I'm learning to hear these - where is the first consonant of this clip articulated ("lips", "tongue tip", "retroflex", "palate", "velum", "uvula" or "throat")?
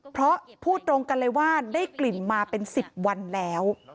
lips